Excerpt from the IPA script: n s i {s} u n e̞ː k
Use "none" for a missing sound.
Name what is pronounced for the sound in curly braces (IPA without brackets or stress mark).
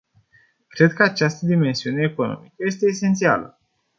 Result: none